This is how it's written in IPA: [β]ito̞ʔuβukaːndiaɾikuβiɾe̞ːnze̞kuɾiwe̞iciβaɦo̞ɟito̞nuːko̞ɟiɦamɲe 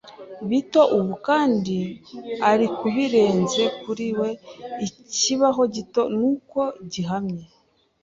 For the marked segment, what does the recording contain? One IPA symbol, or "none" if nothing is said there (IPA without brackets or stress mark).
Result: β